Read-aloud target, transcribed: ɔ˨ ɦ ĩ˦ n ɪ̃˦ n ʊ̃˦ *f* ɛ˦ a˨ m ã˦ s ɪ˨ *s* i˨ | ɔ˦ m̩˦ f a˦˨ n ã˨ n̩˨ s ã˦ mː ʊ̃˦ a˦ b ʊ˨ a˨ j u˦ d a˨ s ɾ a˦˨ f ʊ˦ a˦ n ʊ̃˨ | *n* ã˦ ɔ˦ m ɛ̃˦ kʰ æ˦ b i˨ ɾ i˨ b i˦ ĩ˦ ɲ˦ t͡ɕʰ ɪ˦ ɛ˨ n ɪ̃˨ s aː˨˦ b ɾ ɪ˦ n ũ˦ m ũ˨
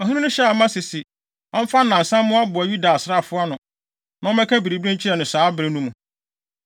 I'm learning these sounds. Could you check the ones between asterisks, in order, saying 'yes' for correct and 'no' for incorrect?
no, yes, yes

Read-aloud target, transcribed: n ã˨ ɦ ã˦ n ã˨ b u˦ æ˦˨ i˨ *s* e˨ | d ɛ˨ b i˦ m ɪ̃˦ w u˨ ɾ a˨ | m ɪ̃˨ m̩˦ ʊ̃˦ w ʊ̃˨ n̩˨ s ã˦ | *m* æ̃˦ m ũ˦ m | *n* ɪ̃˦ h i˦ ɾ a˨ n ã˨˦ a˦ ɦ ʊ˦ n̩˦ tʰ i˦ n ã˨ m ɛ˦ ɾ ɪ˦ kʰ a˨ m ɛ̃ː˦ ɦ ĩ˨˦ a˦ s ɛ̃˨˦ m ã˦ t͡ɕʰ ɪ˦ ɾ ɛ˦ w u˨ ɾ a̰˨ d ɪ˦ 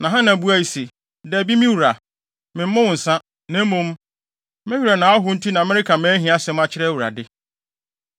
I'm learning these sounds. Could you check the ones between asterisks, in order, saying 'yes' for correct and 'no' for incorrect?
yes, no, no

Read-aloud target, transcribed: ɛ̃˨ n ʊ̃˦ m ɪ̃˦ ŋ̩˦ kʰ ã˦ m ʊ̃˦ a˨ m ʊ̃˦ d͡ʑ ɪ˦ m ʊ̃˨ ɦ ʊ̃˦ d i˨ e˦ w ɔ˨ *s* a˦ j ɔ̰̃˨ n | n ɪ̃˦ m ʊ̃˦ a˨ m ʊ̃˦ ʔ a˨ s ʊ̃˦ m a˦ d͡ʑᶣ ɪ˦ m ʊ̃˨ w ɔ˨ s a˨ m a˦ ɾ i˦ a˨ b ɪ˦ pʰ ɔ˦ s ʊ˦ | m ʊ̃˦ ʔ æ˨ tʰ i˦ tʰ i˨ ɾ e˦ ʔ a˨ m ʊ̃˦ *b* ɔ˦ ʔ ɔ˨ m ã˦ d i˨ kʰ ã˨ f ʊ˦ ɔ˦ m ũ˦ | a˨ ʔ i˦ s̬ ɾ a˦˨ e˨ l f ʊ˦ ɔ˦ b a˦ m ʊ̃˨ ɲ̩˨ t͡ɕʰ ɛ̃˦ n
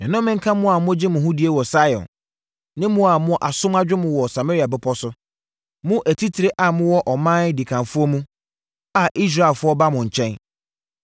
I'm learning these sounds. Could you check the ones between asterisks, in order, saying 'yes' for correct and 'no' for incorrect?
yes, no

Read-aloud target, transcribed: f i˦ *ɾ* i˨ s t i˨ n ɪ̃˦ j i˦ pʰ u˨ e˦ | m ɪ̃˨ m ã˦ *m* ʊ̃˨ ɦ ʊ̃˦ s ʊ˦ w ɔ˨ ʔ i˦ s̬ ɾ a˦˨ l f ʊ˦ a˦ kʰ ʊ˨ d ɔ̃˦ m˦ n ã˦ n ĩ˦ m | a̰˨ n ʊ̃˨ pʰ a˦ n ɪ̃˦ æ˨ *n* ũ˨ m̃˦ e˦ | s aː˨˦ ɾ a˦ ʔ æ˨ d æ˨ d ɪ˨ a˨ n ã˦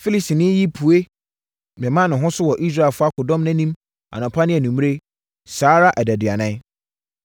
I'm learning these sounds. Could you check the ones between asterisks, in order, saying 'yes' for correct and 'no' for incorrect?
no, no, yes

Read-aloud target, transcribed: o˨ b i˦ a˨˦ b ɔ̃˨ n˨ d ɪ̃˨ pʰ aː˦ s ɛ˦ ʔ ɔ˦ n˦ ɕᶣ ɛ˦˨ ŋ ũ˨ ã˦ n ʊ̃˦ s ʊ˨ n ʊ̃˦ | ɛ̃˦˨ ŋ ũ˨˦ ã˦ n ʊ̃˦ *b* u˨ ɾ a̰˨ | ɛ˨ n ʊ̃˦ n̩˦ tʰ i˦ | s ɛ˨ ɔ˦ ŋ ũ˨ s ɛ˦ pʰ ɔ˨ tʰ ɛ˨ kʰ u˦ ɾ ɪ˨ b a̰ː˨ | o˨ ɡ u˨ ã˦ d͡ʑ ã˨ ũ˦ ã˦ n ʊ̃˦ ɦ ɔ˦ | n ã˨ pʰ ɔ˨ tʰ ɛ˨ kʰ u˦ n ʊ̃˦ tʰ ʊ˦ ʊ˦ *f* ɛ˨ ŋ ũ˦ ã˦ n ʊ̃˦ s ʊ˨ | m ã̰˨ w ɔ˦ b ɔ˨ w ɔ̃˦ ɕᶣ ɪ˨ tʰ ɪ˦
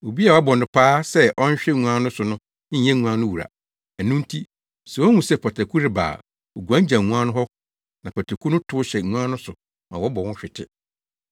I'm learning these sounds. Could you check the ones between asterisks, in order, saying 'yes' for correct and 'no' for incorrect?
no, no

